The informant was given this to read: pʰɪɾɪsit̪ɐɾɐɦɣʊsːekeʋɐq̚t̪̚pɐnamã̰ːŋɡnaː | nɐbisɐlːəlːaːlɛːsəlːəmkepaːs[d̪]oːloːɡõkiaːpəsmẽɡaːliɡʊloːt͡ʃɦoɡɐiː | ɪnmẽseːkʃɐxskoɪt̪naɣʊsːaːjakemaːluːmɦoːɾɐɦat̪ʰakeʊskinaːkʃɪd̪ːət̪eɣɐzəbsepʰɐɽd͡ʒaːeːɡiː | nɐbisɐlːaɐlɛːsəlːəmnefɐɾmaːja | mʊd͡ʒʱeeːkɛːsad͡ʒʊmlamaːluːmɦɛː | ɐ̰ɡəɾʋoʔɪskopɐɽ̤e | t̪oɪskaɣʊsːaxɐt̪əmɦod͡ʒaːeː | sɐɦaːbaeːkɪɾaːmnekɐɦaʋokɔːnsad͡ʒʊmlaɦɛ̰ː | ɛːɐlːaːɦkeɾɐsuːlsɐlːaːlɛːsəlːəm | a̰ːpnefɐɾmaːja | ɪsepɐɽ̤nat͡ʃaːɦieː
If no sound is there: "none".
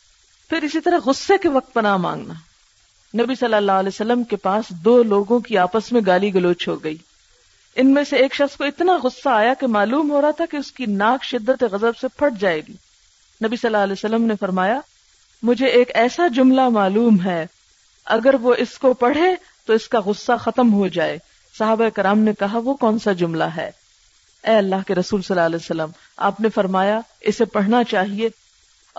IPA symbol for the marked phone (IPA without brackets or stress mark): d̪